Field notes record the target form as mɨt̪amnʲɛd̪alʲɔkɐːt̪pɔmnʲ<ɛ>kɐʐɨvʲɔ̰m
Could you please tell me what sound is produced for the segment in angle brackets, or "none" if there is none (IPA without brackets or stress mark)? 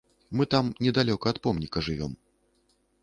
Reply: i